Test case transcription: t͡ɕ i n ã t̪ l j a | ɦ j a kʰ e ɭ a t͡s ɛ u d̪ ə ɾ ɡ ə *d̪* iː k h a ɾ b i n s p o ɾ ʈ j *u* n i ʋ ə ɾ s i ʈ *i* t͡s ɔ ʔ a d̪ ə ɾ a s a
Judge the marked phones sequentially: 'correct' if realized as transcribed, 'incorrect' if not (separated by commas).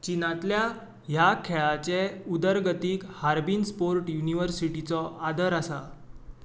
incorrect, correct, correct